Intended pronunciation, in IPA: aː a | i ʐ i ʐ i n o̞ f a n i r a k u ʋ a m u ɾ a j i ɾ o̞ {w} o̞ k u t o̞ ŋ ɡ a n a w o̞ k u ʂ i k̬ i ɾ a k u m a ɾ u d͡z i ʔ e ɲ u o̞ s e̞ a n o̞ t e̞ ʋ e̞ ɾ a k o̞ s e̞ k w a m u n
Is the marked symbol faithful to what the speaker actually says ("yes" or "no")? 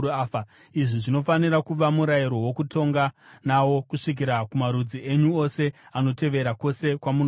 yes